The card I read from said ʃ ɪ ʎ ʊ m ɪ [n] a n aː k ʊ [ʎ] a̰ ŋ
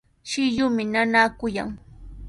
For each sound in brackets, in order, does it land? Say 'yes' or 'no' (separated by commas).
yes, no